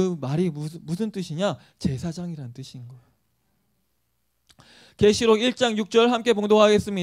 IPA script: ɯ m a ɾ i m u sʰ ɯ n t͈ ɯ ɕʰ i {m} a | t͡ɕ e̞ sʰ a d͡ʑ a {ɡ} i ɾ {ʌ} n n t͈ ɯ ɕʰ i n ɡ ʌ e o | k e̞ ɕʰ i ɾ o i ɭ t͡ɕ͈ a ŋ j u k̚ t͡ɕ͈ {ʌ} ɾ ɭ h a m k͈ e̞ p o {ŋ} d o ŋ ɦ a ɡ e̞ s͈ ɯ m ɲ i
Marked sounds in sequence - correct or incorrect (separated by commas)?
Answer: incorrect, incorrect, incorrect, correct, correct